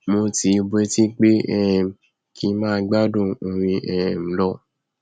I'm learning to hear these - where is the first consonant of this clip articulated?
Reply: lips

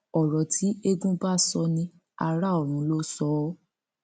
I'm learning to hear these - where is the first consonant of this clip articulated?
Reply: tongue tip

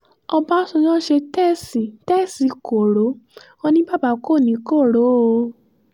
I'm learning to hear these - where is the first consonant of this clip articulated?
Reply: lips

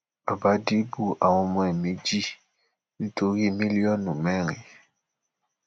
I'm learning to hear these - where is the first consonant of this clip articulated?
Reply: lips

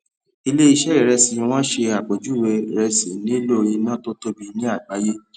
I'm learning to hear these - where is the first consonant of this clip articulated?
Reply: tongue tip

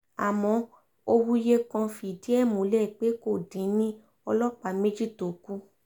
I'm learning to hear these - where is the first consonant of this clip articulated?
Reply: lips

